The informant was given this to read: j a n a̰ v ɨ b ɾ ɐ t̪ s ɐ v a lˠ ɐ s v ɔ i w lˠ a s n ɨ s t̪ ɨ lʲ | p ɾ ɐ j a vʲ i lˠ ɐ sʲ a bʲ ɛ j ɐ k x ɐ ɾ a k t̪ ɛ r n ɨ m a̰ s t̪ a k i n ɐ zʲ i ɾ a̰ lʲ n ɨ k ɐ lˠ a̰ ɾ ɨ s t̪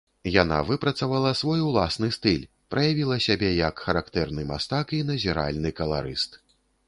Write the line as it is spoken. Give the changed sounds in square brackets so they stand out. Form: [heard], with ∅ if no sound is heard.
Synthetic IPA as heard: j a n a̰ v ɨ [p] ɾ ɐ t̪ s ɐ v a lˠ ɐ s v ɔ [j] w lˠ a s n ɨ s t̪ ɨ lʲ | p ɾ ɐ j a vʲ i lˠ ɐ sʲ a bʲ ɛ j ɐ k x ɐ ɾ a k t̪ ɛ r n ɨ m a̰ s t̪ a k i n ɐ zʲ i ɾ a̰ lʲ n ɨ k ɐ lˠ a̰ ɾ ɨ s t̪